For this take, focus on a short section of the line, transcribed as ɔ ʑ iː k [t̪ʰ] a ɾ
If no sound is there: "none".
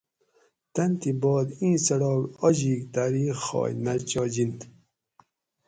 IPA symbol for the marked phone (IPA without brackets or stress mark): t̪